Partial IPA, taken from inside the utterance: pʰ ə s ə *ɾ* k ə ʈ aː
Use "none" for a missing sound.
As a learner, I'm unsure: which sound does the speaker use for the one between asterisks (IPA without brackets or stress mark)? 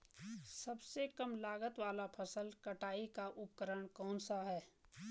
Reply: l